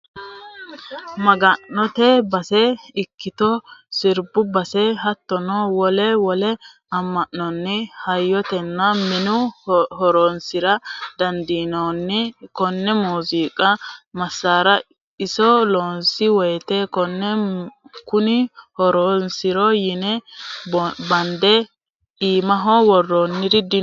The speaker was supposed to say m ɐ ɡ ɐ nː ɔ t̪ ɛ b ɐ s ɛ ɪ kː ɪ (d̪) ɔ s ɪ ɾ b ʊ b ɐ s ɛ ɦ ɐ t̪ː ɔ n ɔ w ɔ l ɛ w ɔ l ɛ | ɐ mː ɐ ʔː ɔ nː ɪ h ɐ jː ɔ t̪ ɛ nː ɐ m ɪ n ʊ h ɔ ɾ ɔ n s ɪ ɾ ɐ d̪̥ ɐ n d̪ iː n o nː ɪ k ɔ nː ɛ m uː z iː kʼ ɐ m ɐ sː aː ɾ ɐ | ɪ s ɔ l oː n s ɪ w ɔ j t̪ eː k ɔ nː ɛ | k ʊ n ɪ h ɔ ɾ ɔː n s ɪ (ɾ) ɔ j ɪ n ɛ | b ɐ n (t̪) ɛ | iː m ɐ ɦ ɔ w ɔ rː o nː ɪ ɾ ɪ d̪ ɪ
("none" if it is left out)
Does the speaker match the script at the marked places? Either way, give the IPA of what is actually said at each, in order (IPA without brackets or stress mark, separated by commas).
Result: t̪, ɾ, d̪